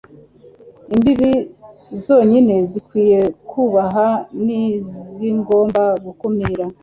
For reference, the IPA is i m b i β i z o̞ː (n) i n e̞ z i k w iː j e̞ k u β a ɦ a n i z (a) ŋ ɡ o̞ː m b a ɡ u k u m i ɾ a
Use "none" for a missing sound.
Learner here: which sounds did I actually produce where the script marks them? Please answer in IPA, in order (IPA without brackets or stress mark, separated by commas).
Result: ɲ, i